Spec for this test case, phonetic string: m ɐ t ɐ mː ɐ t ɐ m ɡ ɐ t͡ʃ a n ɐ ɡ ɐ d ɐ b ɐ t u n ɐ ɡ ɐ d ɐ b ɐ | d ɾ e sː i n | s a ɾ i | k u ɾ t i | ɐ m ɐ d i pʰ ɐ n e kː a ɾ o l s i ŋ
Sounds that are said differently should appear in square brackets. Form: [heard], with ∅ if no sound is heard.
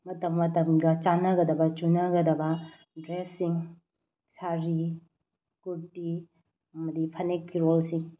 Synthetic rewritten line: m ɐ t ɐ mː ɐ t ɐ m ɡ ɐ t͡ʃ a n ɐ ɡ ɐ d ɐ b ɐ [t͡ʃ] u n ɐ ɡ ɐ d ɐ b ɐ | d ɾ e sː i [ŋ] | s a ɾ i | k u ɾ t i | ɐ m ɐ d i pʰ ɐ n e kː [i] ɾ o l s i ŋ